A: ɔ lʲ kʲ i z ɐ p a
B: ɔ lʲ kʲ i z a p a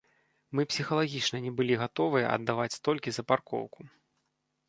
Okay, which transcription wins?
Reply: A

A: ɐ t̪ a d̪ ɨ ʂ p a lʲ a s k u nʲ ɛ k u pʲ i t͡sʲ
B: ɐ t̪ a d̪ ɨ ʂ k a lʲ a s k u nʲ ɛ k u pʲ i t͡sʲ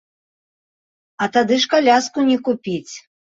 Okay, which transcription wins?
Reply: B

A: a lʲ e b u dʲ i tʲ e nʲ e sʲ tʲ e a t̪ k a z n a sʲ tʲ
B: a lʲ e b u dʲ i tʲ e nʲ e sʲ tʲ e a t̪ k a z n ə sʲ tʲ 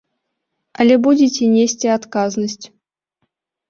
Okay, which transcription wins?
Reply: B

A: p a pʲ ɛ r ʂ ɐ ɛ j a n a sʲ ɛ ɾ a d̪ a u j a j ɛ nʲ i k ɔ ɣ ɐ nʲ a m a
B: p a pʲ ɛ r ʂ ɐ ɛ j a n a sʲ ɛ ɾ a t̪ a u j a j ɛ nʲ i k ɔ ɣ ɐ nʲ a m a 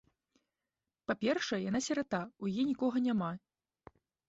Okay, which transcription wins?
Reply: B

